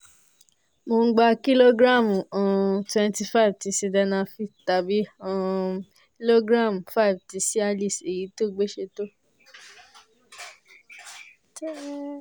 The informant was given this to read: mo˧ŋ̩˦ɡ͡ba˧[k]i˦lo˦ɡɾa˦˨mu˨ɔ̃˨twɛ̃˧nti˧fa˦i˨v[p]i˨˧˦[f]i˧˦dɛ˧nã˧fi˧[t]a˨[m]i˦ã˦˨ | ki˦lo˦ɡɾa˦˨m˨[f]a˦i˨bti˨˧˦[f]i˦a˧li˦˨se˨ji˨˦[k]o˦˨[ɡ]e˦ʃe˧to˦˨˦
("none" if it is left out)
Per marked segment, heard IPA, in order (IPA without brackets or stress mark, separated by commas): k, t, s, t, b, f, s, t, ɡ͡b